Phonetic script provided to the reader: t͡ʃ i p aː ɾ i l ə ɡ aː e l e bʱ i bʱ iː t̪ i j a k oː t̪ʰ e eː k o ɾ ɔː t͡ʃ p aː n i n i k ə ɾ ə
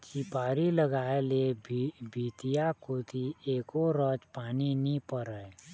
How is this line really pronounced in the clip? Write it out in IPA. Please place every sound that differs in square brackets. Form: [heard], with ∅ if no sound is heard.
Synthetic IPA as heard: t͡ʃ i p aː ɾ i l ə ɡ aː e l e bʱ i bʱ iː t̪ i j a k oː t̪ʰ [i] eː k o ɾ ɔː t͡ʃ p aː n i n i [p] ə ɾ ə